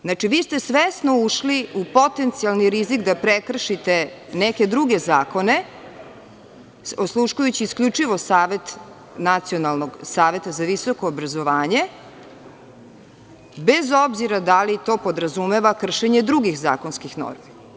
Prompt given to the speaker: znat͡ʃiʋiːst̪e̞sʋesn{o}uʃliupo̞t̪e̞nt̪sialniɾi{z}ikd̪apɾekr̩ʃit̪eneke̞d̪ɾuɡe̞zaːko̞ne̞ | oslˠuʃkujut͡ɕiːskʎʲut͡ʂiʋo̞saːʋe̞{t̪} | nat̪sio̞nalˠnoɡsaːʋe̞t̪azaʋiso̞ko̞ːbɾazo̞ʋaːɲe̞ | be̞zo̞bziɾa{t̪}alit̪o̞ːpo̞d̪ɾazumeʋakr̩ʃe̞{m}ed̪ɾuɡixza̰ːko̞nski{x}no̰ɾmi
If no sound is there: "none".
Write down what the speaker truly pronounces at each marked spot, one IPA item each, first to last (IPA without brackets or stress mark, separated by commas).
o, z, t̪, d̪, ɲ, x